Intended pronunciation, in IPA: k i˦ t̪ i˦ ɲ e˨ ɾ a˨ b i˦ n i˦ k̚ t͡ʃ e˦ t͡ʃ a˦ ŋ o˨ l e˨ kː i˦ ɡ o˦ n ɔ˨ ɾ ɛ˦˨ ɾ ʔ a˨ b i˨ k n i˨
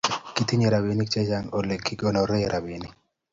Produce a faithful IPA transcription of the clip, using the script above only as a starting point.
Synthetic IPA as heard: k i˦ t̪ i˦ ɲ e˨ ɾ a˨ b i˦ n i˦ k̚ t͡ʃ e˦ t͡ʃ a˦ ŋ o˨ l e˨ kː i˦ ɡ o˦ n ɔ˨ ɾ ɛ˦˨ ɾ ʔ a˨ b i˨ n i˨